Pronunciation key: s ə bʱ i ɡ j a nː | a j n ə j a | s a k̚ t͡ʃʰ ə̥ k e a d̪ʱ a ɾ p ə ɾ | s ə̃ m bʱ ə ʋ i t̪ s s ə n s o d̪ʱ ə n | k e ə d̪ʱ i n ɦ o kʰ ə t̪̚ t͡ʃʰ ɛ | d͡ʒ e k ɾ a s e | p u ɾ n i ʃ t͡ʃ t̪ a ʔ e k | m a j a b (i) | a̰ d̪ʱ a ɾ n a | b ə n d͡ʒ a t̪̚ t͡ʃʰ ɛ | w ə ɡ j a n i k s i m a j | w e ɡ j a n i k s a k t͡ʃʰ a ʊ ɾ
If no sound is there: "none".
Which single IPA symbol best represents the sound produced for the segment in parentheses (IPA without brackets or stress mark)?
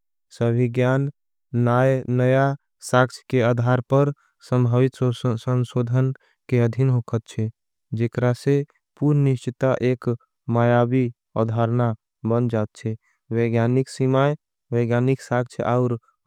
i